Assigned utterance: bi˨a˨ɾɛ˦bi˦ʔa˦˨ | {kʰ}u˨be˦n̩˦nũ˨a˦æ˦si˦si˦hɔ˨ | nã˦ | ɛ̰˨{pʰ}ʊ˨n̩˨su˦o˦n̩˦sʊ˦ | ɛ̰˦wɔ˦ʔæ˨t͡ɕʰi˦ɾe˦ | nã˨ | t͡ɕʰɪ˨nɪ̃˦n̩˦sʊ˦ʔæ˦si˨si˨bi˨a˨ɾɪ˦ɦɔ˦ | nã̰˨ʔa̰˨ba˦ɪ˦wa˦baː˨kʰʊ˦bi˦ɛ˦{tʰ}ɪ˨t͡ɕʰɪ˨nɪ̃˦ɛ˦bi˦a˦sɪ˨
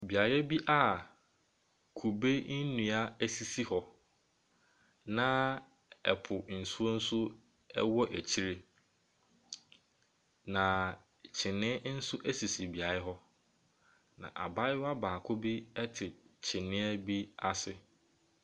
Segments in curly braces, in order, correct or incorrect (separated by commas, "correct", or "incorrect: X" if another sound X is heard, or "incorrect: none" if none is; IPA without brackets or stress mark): correct, correct, correct